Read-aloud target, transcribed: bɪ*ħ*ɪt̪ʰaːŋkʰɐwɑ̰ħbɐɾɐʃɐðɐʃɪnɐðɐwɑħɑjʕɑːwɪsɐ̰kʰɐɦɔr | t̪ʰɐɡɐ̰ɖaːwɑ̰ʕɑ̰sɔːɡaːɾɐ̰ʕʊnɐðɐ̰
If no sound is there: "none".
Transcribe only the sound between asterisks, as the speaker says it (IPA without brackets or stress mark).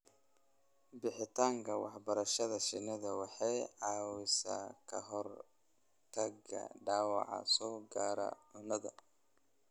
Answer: ħ